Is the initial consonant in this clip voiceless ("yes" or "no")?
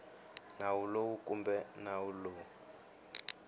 no